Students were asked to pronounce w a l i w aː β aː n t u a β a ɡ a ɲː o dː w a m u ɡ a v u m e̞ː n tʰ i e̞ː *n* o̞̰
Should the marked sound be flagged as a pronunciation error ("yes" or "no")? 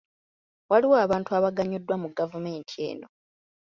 no